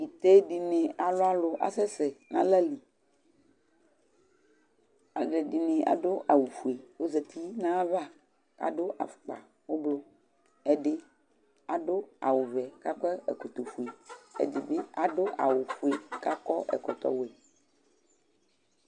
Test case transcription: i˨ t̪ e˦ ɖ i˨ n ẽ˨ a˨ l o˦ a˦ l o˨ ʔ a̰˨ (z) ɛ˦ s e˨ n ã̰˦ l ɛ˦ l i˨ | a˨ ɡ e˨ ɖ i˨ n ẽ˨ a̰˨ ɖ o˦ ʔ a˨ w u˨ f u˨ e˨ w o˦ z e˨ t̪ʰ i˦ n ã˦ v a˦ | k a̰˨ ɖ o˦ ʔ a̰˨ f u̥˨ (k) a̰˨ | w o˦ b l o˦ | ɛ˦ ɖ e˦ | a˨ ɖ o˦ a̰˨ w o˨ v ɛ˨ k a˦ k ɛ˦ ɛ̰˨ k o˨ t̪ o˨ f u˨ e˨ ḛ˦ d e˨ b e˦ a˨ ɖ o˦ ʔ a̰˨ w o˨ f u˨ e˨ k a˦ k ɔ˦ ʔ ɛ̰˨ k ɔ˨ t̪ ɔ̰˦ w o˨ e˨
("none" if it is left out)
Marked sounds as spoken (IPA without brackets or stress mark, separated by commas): s, k͡p